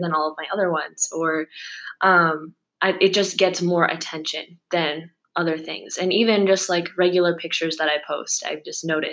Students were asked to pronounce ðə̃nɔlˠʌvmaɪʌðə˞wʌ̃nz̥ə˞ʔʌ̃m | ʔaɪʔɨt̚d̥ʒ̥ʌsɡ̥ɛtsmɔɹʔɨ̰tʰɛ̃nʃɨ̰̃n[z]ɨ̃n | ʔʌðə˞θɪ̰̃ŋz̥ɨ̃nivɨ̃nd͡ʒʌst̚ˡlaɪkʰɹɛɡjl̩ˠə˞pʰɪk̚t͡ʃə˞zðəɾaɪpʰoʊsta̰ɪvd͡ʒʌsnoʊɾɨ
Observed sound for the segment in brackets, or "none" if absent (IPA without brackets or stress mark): ð